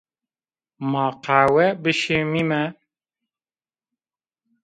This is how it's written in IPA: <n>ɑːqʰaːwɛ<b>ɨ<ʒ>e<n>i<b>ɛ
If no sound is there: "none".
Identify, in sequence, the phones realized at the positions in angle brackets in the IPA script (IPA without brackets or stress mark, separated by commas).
m, b, ʃ, m, m